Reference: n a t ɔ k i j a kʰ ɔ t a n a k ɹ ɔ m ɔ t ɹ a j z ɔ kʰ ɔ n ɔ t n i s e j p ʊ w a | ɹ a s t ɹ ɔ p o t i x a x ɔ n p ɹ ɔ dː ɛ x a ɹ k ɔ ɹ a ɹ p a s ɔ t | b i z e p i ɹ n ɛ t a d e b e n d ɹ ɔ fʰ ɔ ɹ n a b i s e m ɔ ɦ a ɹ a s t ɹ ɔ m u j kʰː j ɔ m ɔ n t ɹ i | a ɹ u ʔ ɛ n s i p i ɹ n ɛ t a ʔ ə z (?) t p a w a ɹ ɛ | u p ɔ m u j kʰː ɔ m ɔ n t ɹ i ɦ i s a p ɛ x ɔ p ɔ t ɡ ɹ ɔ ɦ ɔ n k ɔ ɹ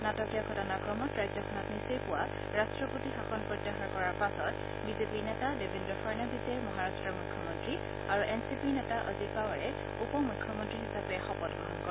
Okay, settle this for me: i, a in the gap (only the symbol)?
i